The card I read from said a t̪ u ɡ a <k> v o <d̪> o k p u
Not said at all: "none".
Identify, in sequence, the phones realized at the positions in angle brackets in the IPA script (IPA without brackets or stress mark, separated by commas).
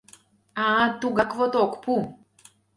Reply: k, t̪